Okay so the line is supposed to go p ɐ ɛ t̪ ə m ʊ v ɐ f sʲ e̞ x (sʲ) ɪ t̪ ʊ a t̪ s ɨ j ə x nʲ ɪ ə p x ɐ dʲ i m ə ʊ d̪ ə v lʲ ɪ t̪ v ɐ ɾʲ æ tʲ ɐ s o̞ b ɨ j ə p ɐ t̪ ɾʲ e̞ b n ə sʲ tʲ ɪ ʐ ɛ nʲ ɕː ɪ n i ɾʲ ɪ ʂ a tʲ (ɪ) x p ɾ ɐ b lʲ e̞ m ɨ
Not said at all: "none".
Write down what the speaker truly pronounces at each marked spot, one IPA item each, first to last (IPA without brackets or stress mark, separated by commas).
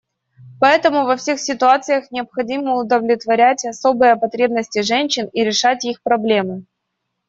sʲ, i